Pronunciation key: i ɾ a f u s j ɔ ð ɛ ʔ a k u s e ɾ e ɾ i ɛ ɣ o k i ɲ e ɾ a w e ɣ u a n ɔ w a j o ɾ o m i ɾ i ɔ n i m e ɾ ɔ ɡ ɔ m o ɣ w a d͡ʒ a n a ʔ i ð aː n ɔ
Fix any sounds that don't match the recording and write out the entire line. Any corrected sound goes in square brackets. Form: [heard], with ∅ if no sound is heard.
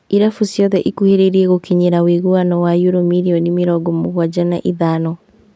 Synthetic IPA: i ɾ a f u s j ɔ ð ɛ ʔ [i] k u [h] e ɾ e ɾ i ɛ ɣ o k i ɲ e ɾ a w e ɣ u a n ɔ w a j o ɾ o m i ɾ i ɔ n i m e ɾ ɔ ɡ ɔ m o ɣ w a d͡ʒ a n a ʔ i ð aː n ɔ